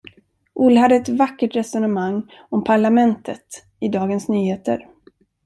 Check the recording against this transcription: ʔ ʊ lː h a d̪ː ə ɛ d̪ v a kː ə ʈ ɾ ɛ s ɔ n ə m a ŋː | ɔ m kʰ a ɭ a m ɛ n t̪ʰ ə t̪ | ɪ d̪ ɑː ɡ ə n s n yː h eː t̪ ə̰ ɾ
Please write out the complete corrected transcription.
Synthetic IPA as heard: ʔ ʊ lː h a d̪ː ə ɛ t̪ v a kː ə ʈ ɾ ɛ s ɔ n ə m a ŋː | ɔ m pʰ a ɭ a m ɛ n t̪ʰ ə t̪ | ɪ d̪ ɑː ɡ ə n s n yː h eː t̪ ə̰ ɾ